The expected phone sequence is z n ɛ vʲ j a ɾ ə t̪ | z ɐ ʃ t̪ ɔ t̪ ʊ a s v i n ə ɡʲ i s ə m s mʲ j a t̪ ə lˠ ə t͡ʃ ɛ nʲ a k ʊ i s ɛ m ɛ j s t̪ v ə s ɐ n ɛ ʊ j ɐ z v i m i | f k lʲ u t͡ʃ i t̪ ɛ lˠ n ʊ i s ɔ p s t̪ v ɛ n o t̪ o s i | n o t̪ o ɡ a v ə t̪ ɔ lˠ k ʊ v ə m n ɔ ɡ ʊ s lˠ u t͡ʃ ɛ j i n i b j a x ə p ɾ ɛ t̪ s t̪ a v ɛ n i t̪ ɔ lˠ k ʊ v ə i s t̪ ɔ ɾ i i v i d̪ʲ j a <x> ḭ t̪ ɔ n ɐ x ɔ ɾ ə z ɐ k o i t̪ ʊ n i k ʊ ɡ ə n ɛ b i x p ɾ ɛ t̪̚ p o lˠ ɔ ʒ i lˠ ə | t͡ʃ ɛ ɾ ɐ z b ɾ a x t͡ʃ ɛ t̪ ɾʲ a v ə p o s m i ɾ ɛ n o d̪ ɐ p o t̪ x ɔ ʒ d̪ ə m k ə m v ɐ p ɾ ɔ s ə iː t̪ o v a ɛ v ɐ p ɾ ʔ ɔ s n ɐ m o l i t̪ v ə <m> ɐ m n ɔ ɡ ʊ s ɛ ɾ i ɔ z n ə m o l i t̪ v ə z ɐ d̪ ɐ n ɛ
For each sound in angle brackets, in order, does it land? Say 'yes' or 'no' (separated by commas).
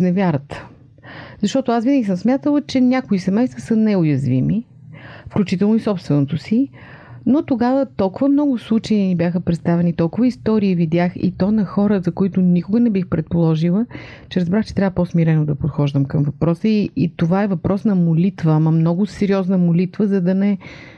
yes, yes